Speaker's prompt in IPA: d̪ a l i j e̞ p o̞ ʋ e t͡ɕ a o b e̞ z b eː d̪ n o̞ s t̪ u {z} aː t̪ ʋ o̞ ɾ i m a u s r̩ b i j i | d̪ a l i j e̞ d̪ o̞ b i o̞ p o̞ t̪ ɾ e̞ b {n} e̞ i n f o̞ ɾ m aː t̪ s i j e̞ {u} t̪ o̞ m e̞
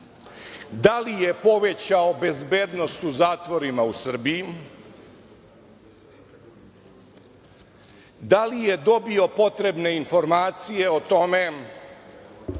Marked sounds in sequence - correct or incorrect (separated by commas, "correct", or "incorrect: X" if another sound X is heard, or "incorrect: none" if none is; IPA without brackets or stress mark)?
correct, correct, incorrect: o